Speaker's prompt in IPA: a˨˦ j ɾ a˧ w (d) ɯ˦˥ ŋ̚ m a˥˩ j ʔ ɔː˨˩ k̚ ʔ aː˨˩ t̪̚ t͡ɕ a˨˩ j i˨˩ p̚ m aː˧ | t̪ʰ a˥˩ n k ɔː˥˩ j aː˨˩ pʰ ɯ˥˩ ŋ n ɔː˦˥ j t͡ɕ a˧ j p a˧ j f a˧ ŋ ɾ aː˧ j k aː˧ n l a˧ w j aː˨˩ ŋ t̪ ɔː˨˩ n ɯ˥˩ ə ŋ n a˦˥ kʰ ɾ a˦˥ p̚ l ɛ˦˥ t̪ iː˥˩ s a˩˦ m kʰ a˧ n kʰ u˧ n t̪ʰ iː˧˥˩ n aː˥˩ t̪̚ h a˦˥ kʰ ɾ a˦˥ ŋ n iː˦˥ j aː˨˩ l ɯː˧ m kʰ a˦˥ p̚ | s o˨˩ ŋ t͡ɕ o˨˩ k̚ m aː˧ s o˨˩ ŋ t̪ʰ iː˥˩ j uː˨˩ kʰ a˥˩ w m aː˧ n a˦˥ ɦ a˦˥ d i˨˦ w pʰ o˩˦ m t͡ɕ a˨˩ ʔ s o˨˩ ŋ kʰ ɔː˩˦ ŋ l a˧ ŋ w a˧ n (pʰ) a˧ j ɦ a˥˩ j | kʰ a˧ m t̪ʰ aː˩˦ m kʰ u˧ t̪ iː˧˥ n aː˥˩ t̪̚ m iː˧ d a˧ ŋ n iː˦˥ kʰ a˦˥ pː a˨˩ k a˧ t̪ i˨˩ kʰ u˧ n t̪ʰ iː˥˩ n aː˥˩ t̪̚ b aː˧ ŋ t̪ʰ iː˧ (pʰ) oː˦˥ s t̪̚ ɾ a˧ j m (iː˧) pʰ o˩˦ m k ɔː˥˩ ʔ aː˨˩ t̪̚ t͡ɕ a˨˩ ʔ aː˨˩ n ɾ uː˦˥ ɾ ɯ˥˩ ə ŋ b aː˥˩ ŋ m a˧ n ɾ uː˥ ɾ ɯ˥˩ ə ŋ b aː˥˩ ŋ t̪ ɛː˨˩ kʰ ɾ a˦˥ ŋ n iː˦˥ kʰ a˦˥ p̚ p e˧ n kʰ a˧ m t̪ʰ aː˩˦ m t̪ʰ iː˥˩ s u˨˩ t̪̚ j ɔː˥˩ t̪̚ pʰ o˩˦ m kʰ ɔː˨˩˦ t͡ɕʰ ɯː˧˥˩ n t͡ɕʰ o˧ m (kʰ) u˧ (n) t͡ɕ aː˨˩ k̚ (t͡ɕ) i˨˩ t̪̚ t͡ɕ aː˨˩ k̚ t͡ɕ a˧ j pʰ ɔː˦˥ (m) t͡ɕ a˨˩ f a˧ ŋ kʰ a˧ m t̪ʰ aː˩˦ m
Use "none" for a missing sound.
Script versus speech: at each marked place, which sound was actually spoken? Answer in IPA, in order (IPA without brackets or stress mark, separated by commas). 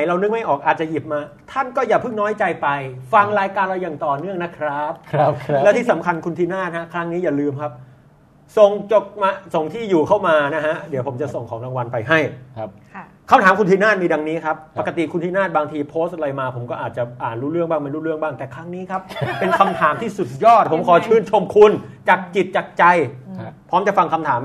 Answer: n, p, pʰ, aː˧, kʰ, n, t͡ɕ, m